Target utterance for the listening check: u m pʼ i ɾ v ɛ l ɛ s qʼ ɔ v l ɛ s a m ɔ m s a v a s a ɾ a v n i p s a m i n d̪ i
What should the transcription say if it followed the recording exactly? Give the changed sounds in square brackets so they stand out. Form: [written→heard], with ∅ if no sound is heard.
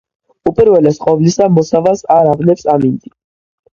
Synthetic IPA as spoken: u [m→∅] pʼ i ɾ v ɛ l ɛ s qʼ ɔ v l [ɛ→i] s a m ɔ [m→∅] s a v a s a ɾ a v n [i→ɛ] p s a m i n d̪ i